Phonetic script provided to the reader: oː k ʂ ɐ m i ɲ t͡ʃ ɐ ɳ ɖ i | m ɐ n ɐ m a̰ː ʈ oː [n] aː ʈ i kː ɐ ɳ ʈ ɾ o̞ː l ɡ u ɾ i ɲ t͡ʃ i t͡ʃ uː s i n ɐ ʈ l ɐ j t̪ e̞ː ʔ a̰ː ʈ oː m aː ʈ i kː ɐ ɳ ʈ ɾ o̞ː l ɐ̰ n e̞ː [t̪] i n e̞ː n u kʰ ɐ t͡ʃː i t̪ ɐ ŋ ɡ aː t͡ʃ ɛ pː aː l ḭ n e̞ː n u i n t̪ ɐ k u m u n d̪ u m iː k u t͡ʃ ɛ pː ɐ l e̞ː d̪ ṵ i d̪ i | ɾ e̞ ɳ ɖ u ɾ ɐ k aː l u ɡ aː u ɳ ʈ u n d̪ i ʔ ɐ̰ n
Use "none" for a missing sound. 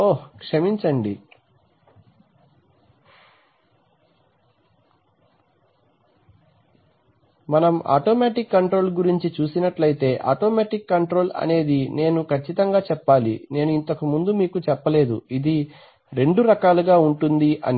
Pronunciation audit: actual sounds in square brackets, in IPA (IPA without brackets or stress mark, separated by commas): m, d̪